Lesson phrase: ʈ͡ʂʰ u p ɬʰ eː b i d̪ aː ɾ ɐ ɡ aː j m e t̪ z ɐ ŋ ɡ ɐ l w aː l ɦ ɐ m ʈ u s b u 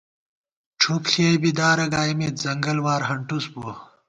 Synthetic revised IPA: ʈ͡ʂʰ u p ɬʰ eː b i d̪ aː ɾ ɐ ɡ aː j m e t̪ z ɐ ŋ ɡ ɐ l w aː ɾ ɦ ɐ ɳ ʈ u s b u